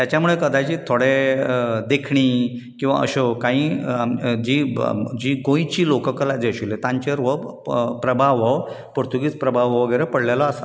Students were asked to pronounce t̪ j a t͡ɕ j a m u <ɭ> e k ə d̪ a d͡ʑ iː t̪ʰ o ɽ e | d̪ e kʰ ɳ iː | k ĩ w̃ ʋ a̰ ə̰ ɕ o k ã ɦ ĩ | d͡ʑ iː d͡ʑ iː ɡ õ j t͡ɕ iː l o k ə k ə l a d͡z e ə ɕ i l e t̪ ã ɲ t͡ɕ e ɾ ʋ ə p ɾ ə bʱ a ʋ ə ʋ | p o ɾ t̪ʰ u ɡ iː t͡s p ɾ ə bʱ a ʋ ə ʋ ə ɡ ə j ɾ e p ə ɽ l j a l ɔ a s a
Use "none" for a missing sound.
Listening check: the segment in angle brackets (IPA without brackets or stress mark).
ɭ